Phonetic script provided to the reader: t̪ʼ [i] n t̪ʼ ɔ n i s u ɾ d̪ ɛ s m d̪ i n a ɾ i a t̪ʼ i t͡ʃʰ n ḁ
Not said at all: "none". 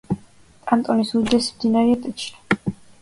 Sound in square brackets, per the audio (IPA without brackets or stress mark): a